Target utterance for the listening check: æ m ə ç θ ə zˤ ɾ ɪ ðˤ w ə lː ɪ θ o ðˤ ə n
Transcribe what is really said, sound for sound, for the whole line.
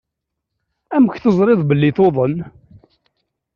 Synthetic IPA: æ m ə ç θ ə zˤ ɾ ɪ ðˤ b ə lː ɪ θ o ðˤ ə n